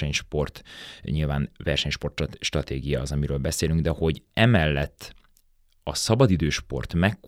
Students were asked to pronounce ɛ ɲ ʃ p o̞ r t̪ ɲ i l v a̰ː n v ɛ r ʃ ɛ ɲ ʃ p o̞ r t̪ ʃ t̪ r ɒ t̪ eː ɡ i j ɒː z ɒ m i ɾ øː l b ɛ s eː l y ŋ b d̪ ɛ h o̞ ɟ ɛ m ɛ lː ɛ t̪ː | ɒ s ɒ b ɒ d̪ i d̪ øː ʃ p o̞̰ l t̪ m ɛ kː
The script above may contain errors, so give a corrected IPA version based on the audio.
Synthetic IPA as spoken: ɛ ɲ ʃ p o̞ r t̪ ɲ i l v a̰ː n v ɛ r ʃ ɛ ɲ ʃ p o̞ r t̪ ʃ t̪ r ɒ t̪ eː ɡ i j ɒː z ɒ m i ɾ øː l b ɛ s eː l y ŋ ɡ d̪ ɛ h o̞ ɟ ɛ m ɛ lː ɛ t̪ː | ɒ s ɒ b ɒ d̪ i d̪ øː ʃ p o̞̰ r t̪ m ɛ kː